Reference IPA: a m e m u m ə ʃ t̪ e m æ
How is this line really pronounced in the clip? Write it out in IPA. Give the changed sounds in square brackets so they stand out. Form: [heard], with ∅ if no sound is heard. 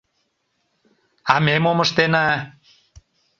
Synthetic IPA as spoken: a m e m [o] m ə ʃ t̪ e [n] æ